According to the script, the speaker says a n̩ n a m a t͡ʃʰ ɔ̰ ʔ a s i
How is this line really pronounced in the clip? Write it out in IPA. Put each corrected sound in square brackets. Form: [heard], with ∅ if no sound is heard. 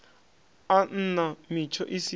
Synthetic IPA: a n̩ n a m [i] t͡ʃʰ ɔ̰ ʔ [i] s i